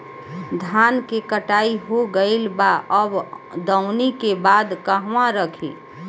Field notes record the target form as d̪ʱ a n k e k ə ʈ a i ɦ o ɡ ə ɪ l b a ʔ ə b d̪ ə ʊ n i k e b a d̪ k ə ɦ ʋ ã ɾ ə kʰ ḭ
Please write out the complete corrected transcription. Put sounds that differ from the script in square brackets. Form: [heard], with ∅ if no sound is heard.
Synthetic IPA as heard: d̪ʱ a n k e k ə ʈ a i ɦ o ɡ ə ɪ l b a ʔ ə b d̪ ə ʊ n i k e b a d̪ k ə ɦ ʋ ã ɾ ə kʰ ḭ